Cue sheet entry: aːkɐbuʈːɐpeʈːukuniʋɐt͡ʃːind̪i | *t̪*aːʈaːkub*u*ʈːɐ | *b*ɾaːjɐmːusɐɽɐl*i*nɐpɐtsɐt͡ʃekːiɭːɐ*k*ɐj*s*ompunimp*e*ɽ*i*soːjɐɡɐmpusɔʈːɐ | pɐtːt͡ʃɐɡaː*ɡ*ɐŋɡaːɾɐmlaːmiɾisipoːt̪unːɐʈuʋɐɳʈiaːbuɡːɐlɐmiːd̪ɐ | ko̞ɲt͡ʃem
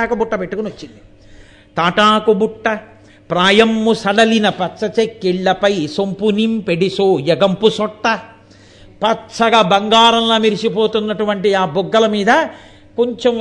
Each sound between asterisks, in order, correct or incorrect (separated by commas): correct, correct, incorrect, correct, incorrect, correct, correct, correct, incorrect